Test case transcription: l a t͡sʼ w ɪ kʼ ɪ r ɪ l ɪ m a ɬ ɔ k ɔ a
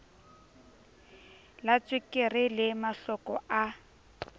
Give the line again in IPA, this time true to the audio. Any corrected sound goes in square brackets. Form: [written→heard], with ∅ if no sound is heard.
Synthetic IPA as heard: l a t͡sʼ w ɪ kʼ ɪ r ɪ l ɪ m a ɬ ɔ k ɔ a